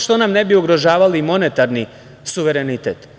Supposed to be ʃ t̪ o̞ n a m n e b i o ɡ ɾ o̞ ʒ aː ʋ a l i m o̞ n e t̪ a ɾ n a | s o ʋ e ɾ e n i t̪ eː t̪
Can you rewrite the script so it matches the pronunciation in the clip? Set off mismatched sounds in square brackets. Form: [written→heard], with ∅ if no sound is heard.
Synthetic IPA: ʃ t̪ o̞ n a m n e b i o ɡ ɾ o̞ ʒ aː ʋ a l i m o̞ n e t̪ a ɾ n [a→i] | s [o→u] ʋ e ɾ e n i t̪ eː t̪